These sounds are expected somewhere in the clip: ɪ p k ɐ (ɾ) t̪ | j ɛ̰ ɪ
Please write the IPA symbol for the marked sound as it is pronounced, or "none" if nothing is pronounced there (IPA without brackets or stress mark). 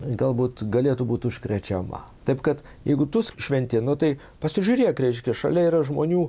none